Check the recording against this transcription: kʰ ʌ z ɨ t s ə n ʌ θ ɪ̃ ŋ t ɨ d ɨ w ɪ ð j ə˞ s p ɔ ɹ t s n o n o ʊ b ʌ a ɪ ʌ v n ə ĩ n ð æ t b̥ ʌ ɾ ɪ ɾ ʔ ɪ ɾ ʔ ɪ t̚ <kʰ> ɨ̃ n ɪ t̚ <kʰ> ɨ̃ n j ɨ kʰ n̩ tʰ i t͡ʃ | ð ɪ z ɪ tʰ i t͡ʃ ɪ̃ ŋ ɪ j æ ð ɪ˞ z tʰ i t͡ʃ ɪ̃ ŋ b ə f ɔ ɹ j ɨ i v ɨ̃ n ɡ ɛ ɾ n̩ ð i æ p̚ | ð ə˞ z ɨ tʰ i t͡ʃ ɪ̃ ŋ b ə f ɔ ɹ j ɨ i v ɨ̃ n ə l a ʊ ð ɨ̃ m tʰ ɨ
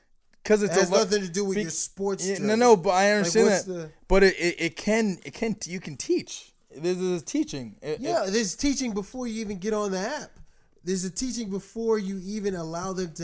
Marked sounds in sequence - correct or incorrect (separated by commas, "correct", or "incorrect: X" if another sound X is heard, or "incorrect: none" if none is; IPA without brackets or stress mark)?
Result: correct, correct